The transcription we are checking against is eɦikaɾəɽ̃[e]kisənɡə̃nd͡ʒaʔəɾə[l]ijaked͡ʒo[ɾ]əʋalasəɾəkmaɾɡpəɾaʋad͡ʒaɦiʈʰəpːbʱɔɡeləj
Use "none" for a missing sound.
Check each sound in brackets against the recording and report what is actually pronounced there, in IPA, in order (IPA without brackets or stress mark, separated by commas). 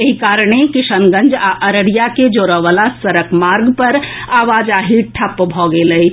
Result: e, ɽ, ɾ